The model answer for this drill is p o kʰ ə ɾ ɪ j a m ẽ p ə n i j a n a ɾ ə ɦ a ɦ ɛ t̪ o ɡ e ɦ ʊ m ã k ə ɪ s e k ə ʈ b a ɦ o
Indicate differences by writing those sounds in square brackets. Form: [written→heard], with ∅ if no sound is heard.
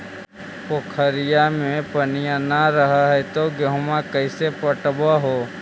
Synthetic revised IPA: p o kʰ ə ɾ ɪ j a m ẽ p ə n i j a n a ɾ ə ɦ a ɦ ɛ t̪ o ɡ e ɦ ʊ m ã k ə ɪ s e [k→p] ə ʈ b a ɦ o